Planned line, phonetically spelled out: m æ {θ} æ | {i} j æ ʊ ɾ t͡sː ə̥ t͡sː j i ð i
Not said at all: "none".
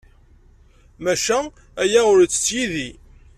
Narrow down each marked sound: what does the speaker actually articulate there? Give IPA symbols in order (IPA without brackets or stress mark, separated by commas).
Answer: ʃ, æ